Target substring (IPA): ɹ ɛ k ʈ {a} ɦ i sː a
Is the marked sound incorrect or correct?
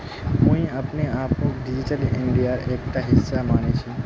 correct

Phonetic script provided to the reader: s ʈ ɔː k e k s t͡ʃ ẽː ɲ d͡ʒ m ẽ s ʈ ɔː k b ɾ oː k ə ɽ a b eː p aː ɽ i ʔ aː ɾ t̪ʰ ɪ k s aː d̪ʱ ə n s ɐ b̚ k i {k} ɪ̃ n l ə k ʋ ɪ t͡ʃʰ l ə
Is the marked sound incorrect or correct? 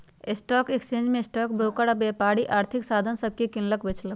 correct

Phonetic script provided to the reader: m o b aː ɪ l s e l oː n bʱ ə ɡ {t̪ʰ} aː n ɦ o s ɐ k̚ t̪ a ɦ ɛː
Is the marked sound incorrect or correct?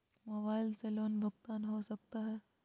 incorrect: t̪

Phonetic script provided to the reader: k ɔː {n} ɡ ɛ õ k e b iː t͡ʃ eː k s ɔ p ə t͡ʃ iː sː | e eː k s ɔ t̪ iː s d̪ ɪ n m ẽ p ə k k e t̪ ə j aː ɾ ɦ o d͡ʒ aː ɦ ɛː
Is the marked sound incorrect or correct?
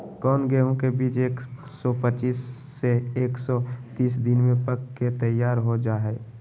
correct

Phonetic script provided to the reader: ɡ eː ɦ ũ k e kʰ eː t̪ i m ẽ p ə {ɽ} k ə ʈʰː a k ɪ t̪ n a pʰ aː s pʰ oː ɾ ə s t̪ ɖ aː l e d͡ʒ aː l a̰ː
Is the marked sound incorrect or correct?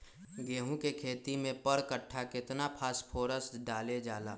incorrect: ɾ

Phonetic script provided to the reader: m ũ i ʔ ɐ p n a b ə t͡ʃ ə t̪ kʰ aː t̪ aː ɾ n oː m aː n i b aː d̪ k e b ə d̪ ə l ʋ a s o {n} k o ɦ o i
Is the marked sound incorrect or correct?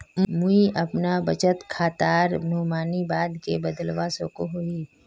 incorrect: none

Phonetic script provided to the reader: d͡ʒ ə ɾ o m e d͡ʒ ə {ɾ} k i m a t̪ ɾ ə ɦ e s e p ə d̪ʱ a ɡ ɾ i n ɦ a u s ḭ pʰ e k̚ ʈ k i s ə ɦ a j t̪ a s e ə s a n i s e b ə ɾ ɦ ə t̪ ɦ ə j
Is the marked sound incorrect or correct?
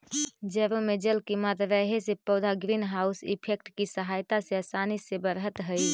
incorrect: l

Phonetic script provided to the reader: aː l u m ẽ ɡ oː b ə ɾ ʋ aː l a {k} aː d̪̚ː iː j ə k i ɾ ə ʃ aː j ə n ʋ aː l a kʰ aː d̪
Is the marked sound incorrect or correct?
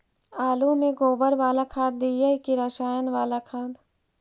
incorrect: kʰ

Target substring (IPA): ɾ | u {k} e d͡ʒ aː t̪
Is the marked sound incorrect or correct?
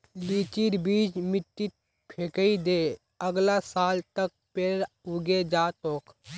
incorrect: ɡ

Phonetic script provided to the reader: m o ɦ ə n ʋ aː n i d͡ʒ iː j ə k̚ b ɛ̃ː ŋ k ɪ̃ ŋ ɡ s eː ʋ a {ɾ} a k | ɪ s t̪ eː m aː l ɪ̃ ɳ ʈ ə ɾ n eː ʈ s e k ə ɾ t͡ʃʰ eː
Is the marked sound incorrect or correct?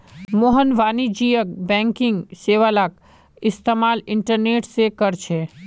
incorrect: l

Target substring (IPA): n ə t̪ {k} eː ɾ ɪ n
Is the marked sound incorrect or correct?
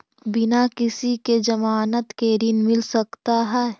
correct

